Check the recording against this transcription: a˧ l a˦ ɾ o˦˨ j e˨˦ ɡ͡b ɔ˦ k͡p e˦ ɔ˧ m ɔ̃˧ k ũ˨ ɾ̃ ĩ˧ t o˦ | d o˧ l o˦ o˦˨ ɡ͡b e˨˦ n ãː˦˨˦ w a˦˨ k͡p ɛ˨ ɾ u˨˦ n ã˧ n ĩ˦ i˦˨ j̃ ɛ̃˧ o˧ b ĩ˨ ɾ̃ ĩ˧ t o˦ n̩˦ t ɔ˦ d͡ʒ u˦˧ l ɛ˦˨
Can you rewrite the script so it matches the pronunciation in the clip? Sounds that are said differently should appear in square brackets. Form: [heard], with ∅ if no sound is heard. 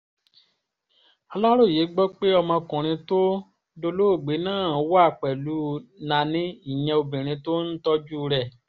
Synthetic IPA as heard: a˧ l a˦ ɾ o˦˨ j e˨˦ ɡ͡b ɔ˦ k͡p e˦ ɔ˧ m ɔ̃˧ k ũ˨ ɾ̃ ĩ˧ t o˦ | d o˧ l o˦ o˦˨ ɡ͡b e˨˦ n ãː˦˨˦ w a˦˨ k͡p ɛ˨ [l] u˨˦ n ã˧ n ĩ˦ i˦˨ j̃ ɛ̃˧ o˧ b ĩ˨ ɾ̃ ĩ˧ t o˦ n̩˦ t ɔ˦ d͡ʒ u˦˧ [ɾ] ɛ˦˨